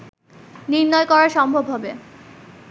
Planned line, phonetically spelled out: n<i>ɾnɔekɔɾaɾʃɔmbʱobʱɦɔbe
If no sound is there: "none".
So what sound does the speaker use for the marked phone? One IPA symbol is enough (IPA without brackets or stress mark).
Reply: i